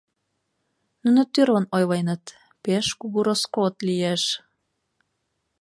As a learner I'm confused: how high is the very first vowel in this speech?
high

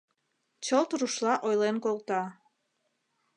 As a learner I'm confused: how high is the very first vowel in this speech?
mid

